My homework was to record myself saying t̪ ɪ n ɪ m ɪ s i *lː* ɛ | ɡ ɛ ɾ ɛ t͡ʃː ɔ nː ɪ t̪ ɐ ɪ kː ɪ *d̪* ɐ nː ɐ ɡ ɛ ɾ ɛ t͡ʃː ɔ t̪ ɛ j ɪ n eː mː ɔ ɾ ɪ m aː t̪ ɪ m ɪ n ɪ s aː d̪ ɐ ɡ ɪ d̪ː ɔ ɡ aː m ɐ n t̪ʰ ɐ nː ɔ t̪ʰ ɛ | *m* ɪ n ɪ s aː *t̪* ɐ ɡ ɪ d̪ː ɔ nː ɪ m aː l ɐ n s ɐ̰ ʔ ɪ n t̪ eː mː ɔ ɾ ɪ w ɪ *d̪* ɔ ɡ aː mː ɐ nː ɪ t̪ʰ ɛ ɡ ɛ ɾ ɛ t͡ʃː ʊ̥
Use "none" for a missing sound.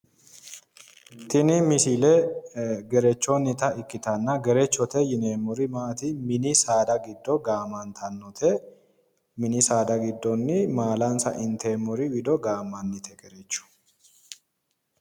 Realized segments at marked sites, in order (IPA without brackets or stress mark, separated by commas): l, t̪, m, d̪, d̪